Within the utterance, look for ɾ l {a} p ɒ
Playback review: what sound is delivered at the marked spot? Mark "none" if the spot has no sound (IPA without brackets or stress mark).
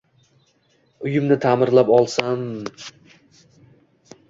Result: a